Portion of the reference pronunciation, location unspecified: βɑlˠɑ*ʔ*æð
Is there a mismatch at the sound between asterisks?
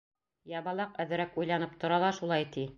yes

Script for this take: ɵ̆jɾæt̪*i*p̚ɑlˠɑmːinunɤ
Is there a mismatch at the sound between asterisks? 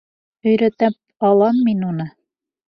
yes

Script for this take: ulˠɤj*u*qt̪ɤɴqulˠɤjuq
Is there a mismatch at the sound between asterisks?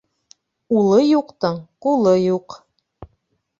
no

